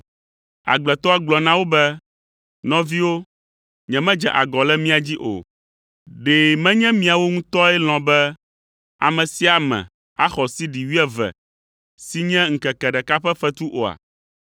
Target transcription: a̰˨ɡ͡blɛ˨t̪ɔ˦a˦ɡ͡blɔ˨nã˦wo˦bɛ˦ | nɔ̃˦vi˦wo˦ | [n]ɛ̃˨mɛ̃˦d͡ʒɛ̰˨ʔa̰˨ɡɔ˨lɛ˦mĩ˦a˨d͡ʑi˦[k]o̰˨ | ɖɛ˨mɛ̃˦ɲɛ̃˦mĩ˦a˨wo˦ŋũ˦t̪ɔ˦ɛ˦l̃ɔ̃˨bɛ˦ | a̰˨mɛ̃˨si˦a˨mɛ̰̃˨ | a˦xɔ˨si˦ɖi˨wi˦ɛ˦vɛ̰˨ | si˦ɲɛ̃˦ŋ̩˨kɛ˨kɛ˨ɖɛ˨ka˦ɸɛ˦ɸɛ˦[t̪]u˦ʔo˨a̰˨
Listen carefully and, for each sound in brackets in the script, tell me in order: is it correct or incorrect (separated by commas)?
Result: incorrect, incorrect, correct